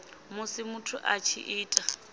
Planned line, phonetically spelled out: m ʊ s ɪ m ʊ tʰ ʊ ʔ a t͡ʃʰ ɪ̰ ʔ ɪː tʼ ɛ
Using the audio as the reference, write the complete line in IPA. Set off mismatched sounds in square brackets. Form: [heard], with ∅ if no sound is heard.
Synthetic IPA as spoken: m ʊ s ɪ m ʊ tʰ ʊ ʔ a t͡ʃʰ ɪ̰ ʔ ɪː tʼ [a]

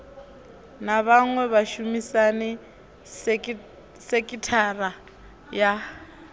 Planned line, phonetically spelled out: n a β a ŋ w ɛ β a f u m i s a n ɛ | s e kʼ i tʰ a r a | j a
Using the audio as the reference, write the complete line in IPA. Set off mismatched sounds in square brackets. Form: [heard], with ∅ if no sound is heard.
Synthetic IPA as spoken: n a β a ŋ w ɛ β a [ʃ] u m i s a n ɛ | s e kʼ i tʰ a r a | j a

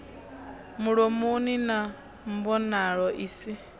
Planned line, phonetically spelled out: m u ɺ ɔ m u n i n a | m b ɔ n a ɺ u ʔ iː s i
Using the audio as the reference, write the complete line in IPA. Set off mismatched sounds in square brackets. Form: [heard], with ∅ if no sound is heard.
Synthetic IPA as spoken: m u ɺ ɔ m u n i n a | m b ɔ n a ɺ [ɔ] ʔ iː s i

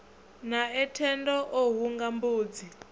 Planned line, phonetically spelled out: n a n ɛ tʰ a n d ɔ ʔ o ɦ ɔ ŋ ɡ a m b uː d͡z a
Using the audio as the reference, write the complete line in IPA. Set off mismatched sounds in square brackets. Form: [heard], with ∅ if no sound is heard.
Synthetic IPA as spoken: n a [∅] ɛ tʰ [ɛ] n d ɔ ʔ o ɦ [u] ŋ ɡ a m b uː d͡z [i]

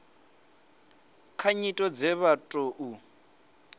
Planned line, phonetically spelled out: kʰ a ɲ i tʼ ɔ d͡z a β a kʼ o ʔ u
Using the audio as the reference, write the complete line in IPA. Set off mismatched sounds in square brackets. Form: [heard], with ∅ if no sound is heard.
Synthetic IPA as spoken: kʰ a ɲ i tʼ ɔ d͡z [ɛ] β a [tʼ] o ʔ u

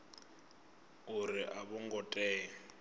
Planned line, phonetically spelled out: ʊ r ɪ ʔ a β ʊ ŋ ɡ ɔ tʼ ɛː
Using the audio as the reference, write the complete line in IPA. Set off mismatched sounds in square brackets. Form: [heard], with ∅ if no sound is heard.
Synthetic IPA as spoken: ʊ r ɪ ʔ a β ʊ ŋ ɡ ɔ tʼ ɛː

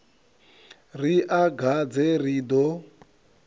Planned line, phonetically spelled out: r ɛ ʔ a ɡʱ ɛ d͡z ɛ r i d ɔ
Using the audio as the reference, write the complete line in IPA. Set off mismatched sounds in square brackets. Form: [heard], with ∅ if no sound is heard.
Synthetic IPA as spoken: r [i] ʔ a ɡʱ [a] d͡z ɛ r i d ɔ

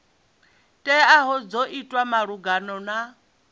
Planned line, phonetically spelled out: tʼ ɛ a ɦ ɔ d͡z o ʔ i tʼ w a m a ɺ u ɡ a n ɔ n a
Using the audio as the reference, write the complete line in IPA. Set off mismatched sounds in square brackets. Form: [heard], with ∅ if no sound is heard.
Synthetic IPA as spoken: tʼ ɛ a ɦ ɔ d͡z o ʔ i tʼ w a m a ɺ u ɡ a n ɔ n a

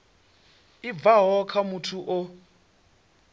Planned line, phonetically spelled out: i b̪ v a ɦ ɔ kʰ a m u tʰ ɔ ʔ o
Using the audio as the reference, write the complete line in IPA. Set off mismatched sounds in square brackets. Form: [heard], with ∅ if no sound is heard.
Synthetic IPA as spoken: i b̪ v a ɦ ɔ kʰ a m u tʰ [u] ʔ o

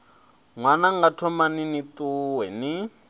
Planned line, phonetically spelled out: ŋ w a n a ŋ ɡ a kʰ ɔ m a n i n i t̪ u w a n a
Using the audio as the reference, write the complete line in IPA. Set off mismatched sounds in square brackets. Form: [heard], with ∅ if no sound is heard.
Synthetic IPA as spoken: ŋ w a n a ŋ ɡ a [tʰ] ɔ m a n i n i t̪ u w [ɛ] n [i]

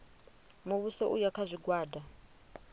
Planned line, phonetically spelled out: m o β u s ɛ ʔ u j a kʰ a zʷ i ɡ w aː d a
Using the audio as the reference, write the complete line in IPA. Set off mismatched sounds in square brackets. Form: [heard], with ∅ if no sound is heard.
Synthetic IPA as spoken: m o β u s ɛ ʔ u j a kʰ a zʷ i ɡ w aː d a

